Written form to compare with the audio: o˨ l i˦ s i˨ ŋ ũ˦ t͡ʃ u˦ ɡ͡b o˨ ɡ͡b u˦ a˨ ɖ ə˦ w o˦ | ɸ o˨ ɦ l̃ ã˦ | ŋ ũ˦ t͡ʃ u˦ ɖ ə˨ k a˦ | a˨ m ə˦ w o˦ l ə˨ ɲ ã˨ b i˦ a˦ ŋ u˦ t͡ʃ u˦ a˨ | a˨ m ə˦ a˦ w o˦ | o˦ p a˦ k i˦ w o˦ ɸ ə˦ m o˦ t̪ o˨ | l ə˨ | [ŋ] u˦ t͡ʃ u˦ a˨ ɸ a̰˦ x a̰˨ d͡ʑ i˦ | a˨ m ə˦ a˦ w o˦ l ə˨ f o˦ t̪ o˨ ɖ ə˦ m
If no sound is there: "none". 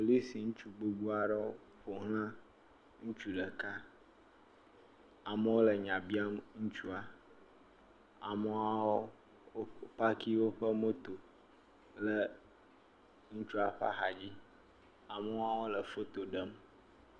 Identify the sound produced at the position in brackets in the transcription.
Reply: ŋ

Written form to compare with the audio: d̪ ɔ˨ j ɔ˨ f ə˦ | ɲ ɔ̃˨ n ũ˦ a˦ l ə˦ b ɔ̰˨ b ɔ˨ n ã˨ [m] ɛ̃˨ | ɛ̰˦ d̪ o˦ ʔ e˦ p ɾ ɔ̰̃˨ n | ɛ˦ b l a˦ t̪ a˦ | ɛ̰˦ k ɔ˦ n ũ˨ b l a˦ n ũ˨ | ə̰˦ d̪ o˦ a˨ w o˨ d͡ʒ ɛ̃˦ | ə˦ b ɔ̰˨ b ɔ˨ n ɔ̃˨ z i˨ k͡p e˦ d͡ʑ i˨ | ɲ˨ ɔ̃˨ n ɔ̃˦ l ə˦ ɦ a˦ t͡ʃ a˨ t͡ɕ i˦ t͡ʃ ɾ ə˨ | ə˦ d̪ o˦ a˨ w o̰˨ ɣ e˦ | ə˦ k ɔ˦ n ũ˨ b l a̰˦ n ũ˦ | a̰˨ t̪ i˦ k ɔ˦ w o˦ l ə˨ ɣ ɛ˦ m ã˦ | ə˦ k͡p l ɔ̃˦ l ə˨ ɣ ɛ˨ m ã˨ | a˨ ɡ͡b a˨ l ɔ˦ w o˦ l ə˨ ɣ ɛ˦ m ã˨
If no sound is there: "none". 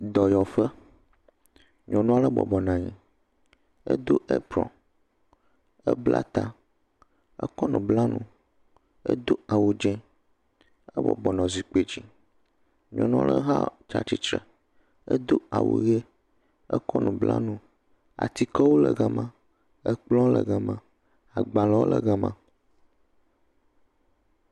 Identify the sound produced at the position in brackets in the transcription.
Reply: ɲ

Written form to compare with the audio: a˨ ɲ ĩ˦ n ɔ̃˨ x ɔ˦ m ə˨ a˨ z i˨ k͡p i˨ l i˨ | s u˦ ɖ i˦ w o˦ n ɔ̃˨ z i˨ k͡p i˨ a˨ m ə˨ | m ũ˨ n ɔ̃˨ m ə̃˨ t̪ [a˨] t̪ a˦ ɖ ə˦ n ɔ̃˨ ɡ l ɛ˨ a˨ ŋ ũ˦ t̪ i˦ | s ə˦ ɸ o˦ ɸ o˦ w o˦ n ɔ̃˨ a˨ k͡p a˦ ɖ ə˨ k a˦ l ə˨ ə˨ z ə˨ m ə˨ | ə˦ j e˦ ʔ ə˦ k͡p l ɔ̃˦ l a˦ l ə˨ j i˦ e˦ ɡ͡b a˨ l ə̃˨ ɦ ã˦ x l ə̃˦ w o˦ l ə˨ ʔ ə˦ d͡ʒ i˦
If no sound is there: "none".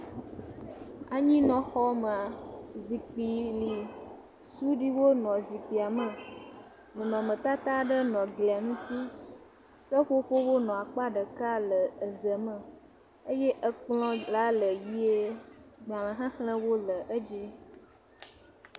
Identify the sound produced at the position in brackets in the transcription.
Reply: a˦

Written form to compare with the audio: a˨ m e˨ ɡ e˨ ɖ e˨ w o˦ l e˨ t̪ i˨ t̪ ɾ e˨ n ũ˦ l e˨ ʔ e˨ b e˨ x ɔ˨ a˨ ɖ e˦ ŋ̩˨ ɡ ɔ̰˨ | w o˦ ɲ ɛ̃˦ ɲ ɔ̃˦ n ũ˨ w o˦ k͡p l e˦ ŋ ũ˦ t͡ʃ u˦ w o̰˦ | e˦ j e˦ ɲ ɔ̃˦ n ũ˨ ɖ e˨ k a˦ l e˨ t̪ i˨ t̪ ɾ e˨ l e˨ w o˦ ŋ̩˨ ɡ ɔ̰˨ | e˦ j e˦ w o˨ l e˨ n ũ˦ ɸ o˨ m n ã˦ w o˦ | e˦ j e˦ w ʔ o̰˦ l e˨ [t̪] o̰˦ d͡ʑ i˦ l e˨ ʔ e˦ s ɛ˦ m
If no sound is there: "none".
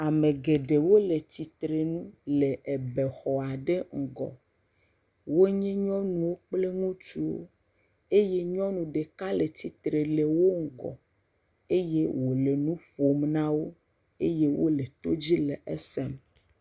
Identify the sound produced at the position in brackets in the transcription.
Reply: t̪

